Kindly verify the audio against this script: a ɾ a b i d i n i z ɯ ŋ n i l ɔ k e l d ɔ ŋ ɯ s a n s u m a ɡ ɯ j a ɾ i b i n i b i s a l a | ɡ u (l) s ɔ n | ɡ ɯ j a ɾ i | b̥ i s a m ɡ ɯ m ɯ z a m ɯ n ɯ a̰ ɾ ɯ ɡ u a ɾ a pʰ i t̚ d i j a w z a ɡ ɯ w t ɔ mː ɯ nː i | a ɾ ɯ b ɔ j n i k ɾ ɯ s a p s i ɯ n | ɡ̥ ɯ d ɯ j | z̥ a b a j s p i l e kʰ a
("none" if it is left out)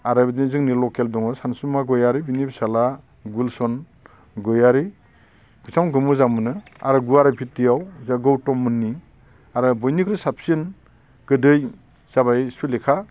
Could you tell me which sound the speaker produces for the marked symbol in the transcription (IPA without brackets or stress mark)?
l